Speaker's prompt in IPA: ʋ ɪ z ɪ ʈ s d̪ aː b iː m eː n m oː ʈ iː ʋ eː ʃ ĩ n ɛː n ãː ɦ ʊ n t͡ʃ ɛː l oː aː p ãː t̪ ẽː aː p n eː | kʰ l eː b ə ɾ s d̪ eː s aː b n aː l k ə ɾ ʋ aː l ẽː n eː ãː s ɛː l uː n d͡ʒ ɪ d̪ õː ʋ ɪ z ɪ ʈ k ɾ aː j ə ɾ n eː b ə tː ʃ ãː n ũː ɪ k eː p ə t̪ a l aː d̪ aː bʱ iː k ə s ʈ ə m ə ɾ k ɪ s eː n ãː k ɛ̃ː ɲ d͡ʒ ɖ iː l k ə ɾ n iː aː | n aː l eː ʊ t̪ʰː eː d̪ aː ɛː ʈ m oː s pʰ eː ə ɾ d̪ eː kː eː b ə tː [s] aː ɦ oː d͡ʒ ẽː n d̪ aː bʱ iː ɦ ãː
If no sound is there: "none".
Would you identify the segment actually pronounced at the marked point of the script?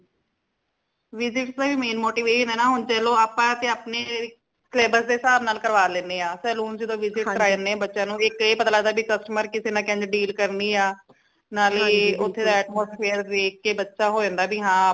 ʃ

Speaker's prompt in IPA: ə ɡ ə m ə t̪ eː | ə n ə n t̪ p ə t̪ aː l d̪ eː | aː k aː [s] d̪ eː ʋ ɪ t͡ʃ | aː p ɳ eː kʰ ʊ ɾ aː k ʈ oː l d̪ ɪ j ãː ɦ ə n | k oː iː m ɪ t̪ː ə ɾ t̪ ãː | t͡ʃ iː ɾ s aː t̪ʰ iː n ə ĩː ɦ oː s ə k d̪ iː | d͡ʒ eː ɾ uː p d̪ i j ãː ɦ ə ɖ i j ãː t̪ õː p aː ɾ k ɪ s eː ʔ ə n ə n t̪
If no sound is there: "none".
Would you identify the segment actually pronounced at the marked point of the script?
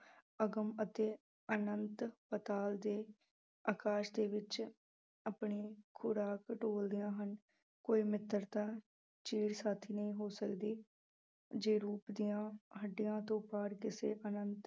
ʃ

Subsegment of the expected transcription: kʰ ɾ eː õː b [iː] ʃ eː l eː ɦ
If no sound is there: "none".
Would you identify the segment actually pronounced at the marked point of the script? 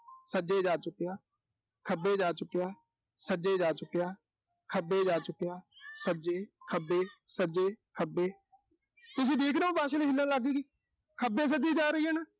aː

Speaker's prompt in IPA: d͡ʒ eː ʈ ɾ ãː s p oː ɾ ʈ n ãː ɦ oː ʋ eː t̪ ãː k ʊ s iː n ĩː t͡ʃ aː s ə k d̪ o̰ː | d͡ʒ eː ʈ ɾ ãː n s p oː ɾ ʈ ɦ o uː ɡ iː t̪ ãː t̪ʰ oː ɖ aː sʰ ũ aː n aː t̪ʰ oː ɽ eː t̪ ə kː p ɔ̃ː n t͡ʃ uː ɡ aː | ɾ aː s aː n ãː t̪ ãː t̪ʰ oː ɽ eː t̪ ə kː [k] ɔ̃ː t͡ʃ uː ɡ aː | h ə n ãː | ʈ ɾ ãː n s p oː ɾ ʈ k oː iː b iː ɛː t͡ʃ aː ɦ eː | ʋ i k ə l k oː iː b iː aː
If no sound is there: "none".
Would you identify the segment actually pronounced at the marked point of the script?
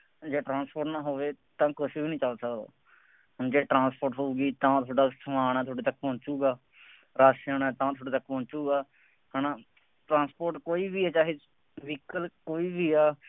p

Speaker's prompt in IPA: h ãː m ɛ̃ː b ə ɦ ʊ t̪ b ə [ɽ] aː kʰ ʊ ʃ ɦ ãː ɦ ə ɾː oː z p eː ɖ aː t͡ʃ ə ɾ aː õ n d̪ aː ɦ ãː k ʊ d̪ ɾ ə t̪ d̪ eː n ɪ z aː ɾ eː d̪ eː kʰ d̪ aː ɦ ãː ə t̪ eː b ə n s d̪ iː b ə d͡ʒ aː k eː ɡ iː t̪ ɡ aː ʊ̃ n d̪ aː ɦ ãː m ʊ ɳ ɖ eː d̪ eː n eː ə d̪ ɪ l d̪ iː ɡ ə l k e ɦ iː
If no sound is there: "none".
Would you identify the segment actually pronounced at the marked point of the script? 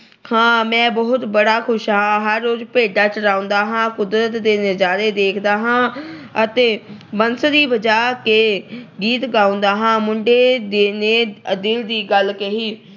ɽ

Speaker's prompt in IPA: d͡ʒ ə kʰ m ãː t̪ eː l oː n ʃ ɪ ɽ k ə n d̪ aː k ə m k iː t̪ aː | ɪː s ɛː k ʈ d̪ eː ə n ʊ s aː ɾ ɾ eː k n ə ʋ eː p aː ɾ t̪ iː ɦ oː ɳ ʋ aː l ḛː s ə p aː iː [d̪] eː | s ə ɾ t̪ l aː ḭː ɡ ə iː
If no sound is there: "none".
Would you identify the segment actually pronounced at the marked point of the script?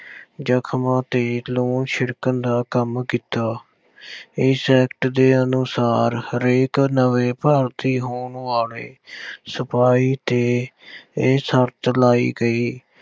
t̪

